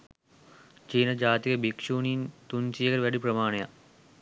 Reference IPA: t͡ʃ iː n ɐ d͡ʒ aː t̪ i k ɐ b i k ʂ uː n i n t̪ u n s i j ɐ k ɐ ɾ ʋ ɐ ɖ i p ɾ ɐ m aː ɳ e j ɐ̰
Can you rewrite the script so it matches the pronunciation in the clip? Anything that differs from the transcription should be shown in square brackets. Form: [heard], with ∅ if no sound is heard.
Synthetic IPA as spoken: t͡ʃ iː n ɐ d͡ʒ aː t̪ i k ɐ b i k ʂ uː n i n t̪ u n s i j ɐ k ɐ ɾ ʋ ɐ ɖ i p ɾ ɐ m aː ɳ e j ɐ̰